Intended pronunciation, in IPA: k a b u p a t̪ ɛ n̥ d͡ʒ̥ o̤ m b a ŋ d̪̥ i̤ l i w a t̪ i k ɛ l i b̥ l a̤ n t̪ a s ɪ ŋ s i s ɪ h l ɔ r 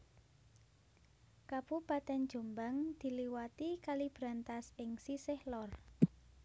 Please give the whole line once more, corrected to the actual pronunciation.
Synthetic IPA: k a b u p a t̪ ɛ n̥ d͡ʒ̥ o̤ m b a ŋ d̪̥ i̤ l i w a t̪ i k a l i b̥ ɾ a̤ n t̪ a s ɪ ŋ s i s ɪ h l ɔ r

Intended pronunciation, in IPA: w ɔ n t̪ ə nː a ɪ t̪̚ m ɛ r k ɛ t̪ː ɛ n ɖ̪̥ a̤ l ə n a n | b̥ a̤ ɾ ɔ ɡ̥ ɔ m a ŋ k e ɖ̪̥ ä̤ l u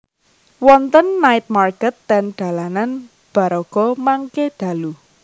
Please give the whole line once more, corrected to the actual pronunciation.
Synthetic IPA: w ɔ n t̪ ə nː a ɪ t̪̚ m a r k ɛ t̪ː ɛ n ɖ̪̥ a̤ l a n a n | b̥ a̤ ɾ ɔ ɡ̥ ɔ m a ŋ k e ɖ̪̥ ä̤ l u

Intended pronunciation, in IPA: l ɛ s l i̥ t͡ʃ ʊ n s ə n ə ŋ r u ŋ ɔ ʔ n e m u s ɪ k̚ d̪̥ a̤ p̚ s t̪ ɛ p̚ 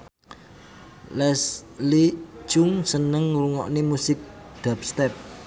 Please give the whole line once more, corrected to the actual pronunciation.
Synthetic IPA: l ɛ s l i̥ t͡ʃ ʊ ŋ s ə n ə ŋ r u ŋ ɔ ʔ n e m u s ɪ k̚ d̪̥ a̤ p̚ s t̪ ɛ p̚

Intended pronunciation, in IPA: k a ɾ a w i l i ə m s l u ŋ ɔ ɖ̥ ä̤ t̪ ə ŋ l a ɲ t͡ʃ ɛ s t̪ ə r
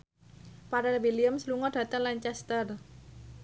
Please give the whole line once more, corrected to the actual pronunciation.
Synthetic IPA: p a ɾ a w i l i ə m s l u ŋ ɔ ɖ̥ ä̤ t̪ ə ŋ l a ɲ t͡ʃ ɛ s t̪ ə r

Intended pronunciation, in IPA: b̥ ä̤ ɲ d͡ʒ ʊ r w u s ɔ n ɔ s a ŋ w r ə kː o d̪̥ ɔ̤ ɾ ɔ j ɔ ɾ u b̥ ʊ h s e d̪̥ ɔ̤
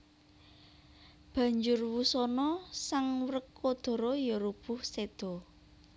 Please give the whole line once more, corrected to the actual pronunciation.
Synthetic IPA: b̥ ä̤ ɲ d͡ʒ ʊ r w u s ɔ n ɔ s a ŋ w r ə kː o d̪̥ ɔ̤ ɾ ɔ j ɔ ɾ u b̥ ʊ h s e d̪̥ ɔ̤

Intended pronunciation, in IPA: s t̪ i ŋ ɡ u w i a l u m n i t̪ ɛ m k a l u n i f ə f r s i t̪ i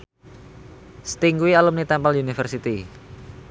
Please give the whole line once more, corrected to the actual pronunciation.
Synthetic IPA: s t̪ i ŋ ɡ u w i a l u m n i t̪ ɛ m p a l u n i f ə r s i t̪ i

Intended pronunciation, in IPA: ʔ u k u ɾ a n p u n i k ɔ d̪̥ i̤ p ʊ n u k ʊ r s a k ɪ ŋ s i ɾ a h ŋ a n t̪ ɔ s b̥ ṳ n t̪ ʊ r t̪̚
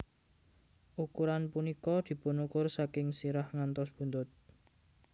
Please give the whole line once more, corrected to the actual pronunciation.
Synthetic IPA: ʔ u k u ɾ a n p u n i k ɔ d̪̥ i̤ p ʊ n u k ʊ r s a k ɪ ŋ s i ɾ a h ŋ a n t̪ ɔ s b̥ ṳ n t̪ ʊ t̪̚

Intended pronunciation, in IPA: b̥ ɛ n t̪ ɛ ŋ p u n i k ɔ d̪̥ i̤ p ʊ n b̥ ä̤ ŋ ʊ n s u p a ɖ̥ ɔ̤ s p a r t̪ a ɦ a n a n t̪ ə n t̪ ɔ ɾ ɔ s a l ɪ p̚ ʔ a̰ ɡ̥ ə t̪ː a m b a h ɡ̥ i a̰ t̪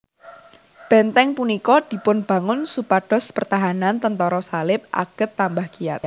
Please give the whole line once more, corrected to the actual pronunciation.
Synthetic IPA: b̥ ɛ n t̪ ɛ ŋ p u n i k ɔ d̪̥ i̤ p ʊ n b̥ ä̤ ŋ ʊ n s u p a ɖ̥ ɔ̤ s p ə r t̪ a ɦ a n a n t̪ ə n t̪ ɔ ɾ ɔ s a l ɪ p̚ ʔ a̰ ɡ̥ ə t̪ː a m b a h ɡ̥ i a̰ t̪

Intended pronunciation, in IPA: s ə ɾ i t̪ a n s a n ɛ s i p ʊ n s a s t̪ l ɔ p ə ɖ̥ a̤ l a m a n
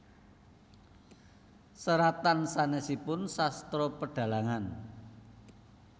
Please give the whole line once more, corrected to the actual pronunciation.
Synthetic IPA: s ə ɾ a t̪ a n s a n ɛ s i p ʊ n s a s t̪ ɾ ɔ p ə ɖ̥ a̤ l a ŋ a n

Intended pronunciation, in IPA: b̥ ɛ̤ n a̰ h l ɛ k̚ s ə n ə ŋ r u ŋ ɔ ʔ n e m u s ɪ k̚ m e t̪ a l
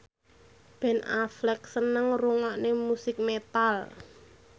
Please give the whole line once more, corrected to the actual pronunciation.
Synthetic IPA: b̥ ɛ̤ n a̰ f l ɛ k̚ s ə n ə ŋ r u ŋ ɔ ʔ n e m u s ɪ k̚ m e t̪ a l

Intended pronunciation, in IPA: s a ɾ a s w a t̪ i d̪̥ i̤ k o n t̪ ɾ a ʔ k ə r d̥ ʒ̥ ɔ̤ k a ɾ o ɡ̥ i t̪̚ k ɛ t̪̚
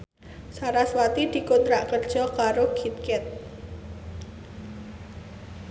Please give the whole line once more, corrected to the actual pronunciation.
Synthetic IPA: s a ɾ a s w a t̪ i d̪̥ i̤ k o n t̪ ɾ a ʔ k ə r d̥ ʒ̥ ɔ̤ k a ɾ o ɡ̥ i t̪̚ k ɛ t̪̚

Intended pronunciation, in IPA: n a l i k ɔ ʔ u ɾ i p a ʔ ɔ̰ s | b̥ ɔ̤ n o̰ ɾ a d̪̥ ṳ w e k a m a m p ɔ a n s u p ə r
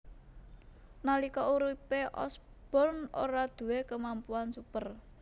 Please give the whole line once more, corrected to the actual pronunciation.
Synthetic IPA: n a l i k ɔ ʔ u ɾ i p e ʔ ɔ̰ s | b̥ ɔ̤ n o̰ ɾ a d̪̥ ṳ w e k ə m a m p u a n s u p ə r

